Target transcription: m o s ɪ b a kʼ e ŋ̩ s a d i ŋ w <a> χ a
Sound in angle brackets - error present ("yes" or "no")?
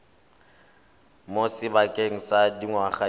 no